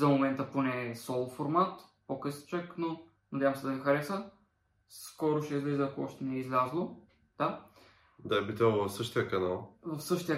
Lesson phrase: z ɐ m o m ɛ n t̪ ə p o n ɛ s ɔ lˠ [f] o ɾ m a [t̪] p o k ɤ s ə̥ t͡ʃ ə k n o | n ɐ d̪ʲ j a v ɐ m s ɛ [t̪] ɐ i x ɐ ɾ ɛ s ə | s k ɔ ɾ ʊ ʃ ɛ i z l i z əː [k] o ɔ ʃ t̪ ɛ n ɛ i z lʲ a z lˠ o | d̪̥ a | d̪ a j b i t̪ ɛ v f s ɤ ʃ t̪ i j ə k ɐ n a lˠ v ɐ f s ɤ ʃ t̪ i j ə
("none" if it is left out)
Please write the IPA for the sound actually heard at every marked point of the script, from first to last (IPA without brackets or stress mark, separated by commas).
f, t̪, d̪, k